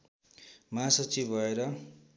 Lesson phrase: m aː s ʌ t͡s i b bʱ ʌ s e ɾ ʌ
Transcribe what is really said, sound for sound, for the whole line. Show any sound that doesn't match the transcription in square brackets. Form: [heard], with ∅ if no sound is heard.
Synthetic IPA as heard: m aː s ʌ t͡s i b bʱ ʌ [∅] e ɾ ʌ